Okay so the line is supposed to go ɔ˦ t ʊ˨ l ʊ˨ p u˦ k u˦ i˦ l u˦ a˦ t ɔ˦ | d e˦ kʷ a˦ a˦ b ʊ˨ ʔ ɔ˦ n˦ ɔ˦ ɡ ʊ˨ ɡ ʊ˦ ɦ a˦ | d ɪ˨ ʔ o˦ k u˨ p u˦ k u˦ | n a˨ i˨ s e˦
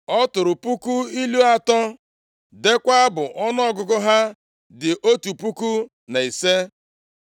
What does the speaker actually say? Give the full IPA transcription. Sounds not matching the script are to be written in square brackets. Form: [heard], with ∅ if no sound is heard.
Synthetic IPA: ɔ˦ t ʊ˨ [ɾ] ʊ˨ p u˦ k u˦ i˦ l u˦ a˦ t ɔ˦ | d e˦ kʷ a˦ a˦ b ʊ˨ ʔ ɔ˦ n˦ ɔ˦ ɡ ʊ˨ ɡ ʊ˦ ɦ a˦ | d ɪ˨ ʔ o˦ [t] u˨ p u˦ k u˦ | n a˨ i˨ s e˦

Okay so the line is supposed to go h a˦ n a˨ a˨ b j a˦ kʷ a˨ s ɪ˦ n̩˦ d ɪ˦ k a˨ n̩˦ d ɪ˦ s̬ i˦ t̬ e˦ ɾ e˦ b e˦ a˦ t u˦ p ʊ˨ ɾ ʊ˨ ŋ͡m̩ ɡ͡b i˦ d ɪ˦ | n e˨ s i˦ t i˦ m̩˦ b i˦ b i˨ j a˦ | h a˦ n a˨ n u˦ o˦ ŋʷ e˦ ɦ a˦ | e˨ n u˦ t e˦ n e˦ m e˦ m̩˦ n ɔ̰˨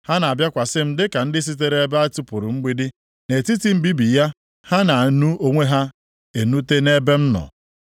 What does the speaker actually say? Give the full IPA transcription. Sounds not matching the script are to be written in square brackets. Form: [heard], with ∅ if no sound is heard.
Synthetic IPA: h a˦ n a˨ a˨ b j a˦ kʷ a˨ s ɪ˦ [m̩˦] d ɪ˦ k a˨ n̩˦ d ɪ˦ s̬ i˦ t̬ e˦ ɾ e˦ b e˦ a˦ t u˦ p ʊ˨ ɾ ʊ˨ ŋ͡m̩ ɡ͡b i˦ d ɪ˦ | n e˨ [t] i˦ t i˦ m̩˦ b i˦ b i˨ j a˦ | h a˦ n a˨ n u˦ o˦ ŋʷ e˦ ɦ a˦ | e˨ n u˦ t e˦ n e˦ [b] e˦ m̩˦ n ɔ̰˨

